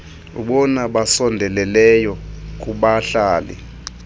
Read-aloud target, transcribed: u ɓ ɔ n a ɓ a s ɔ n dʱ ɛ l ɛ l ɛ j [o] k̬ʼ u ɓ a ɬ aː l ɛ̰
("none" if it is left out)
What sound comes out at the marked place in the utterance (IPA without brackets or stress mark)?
ɔ